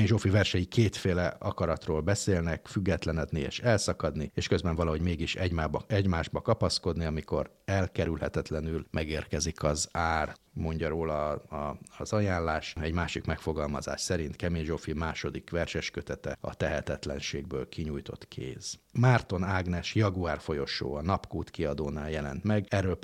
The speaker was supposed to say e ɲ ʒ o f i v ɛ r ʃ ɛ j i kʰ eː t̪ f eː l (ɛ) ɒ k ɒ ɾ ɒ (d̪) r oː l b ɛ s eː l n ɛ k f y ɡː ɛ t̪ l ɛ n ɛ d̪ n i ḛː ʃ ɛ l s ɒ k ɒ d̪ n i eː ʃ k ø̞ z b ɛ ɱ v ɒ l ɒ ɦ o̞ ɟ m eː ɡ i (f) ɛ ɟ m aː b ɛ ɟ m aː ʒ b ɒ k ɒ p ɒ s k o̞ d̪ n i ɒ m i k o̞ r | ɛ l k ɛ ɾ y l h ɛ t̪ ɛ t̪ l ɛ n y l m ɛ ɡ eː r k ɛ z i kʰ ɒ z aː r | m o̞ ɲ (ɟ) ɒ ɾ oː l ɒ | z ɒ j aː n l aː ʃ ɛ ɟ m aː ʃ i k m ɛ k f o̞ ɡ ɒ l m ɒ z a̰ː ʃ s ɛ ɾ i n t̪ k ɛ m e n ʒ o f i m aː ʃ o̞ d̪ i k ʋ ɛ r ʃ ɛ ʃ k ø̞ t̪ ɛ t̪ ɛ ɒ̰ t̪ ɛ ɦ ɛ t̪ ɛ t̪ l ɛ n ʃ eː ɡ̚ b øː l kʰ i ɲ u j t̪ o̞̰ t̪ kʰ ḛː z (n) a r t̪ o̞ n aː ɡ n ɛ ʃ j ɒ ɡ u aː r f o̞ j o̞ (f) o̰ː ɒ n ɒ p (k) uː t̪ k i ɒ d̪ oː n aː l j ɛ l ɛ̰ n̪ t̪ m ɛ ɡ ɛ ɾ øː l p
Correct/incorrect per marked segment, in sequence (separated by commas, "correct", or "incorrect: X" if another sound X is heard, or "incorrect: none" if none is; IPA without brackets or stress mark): correct, incorrect: t̪, incorrect: ʃ, correct, incorrect: m, incorrect: ʃ, correct